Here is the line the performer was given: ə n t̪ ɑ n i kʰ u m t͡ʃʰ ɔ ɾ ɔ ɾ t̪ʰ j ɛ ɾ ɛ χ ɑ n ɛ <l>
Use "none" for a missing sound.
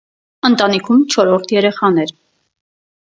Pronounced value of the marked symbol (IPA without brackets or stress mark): ɾ